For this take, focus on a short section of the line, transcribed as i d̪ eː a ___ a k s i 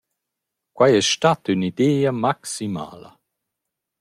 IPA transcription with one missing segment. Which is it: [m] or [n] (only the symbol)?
m